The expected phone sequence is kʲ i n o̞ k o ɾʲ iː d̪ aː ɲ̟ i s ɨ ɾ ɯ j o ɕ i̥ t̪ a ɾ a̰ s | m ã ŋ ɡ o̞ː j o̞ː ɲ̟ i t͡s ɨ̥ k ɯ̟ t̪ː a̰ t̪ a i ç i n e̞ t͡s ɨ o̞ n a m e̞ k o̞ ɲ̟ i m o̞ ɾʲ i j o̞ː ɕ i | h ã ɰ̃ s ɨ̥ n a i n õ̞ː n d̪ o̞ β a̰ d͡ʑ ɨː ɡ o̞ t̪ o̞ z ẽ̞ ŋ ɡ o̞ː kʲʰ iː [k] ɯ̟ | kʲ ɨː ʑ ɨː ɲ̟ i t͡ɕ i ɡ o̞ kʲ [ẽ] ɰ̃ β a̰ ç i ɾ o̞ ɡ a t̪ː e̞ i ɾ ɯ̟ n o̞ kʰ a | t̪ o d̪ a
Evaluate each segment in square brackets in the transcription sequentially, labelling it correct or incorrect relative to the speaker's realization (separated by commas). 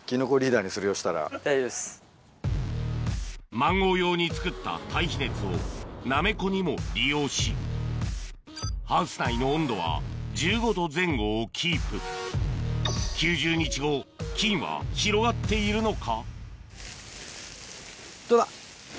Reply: incorrect, incorrect